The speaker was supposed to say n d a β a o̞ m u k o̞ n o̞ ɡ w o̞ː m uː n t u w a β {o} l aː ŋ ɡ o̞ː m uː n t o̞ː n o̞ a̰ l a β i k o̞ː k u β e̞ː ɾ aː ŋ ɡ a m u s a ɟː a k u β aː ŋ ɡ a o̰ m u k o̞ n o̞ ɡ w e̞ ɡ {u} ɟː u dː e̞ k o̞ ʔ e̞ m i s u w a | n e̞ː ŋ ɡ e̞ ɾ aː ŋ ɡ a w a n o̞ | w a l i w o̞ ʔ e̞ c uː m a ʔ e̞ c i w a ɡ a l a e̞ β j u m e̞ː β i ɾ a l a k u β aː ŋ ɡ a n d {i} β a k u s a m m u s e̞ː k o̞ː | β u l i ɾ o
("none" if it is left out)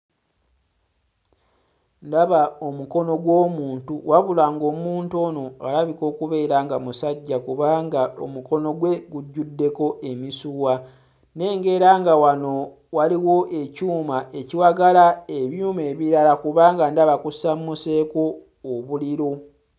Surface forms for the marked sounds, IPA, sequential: u, u, a

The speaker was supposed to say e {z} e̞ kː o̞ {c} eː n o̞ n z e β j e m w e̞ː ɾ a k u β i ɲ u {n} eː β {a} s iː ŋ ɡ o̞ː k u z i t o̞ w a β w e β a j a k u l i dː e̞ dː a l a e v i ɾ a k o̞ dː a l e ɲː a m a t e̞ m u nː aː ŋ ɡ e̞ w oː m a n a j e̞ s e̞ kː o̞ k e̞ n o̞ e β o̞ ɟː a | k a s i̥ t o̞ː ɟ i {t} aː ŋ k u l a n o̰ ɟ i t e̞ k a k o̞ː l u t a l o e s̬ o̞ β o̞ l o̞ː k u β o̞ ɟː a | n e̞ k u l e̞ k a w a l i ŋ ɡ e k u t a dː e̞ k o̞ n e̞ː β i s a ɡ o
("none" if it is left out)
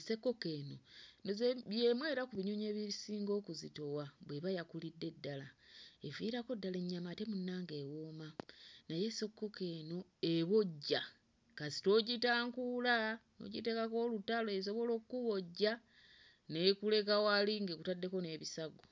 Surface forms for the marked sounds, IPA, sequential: s, k, ɲ, i, t

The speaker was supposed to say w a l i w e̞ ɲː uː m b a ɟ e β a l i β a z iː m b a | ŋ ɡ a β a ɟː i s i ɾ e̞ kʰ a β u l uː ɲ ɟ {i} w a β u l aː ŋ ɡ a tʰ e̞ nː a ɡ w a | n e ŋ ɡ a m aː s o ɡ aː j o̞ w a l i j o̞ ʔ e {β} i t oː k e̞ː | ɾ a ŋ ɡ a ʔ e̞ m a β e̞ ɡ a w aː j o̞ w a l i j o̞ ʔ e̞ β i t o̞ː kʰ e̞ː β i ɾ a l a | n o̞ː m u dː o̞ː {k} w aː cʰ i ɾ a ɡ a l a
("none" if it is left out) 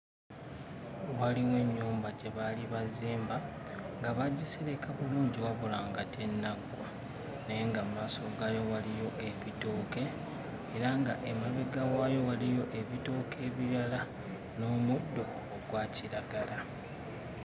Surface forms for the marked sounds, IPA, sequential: i, β, ɡ

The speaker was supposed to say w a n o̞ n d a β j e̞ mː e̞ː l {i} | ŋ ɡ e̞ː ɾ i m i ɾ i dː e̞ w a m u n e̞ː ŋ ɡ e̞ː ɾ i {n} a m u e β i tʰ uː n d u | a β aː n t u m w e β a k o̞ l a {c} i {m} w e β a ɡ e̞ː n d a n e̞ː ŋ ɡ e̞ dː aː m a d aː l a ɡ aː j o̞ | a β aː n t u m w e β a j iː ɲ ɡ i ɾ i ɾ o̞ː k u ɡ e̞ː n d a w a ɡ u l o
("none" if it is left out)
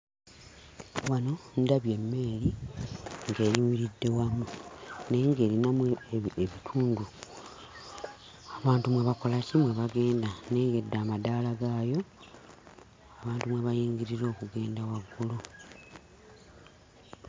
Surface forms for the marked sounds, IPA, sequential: i, n, c, m

